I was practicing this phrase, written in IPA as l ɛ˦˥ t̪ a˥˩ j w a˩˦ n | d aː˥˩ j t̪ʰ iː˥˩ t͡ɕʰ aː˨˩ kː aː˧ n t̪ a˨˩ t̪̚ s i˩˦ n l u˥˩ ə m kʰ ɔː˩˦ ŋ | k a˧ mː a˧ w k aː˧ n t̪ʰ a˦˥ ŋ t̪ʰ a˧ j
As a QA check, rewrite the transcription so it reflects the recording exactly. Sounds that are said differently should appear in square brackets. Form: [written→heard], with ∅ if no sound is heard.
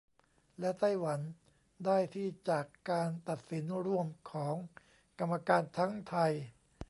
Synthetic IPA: l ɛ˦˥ t̪ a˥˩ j w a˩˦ n | d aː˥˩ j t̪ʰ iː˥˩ [t͡ɕʰ→t͡ɕ] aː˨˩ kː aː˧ n t̪ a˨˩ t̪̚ s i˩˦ n [l→ɾ] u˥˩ ə m kʰ ɔː˩˦ ŋ | k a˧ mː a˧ [w→∅] k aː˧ n t̪ʰ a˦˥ ŋ t̪ʰ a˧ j